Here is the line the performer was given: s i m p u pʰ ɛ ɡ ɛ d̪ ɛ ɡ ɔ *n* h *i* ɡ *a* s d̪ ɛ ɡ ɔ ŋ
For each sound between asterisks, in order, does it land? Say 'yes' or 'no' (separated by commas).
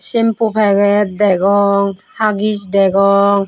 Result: no, no, no